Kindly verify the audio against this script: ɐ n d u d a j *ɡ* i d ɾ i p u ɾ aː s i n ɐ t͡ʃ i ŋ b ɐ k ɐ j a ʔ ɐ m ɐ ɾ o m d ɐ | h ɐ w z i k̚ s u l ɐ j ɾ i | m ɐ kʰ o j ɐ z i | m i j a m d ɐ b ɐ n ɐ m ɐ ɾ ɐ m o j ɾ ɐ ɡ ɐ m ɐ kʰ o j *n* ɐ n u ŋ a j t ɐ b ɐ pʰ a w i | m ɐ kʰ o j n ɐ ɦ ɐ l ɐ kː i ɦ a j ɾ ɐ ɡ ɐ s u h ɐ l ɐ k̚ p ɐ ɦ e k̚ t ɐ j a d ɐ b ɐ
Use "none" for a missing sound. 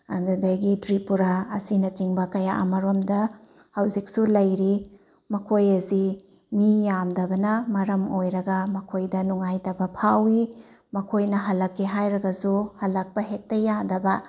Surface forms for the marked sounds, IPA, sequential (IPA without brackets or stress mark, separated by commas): ɡ, d